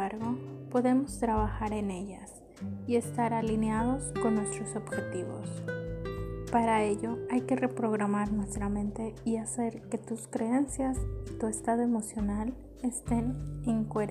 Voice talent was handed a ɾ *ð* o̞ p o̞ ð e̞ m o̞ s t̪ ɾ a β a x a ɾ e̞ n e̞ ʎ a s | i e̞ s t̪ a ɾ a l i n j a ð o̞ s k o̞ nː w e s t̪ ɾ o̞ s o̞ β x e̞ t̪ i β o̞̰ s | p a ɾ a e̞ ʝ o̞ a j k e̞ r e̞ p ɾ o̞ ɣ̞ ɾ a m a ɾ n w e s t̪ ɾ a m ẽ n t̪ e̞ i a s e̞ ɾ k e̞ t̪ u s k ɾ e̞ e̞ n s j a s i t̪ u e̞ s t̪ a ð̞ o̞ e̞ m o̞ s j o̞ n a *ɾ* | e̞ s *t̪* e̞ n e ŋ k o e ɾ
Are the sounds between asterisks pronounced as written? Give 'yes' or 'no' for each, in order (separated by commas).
no, no, yes